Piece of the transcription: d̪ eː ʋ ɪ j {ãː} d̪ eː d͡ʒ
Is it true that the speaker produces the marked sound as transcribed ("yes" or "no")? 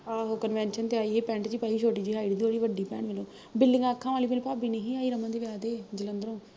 no